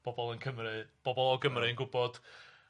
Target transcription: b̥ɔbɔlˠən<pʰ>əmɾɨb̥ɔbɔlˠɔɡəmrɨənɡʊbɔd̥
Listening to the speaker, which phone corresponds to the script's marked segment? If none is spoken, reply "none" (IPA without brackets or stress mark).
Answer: kʰ